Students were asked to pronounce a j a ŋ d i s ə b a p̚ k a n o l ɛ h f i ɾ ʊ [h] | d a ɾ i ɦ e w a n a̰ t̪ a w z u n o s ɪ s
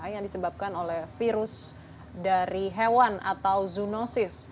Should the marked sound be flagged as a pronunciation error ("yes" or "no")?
yes